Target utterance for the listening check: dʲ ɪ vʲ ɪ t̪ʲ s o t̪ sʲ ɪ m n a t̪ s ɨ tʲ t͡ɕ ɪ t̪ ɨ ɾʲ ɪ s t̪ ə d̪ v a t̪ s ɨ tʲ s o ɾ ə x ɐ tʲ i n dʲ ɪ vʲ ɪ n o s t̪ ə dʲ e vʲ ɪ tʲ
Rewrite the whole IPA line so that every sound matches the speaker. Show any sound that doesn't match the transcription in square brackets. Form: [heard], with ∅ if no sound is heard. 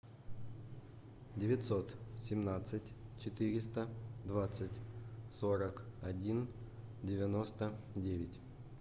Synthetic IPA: dʲ ɪ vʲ ɪ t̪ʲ s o t̪ sʲ ɪ m n a t̪ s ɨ tʲ t͡ɕ ɪ t̪ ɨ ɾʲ ɪ s t̪ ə d̪ v a t̪ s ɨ tʲ s o ɾ ə [k] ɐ [dʲ] i n dʲ ɪ vʲ ɪ n o s t̪ ə dʲ e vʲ ɪ tʲ